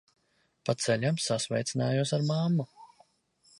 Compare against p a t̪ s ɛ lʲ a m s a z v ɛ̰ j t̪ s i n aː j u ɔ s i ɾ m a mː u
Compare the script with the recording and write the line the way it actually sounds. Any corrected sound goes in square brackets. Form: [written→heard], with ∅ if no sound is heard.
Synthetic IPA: p a t̪ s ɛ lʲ a m s a [z→s] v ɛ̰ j t̪ s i n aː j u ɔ s [i→a] ɾ m a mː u